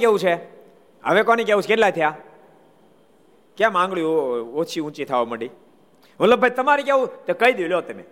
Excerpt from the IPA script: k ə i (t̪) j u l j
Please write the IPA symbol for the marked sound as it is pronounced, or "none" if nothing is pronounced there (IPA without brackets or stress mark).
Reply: d̪